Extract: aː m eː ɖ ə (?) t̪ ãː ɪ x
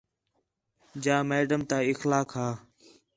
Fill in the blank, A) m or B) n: A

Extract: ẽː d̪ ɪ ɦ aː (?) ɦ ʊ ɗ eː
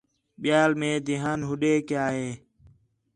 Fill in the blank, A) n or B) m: A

